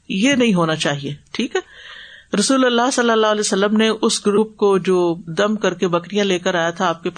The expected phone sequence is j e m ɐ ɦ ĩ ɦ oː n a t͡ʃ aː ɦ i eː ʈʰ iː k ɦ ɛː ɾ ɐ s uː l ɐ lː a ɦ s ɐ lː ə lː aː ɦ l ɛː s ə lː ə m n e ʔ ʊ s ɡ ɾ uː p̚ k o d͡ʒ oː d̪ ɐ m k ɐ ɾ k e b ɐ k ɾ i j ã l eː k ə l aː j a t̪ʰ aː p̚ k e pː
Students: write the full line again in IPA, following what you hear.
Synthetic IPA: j e n ɐ ɦ ĩ ɦ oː n a t͡ʃ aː ɦ i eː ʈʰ iː k ɦ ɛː ɾ ɐ s uː l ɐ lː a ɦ s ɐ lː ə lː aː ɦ l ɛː s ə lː ə m n e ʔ ʊ s ɡ ɾ uː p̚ k o d͡ʒ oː d̪ ɐ m k ɐ ɾ k e b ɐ k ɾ i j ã l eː k ə ɾ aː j a t̪ʰ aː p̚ k e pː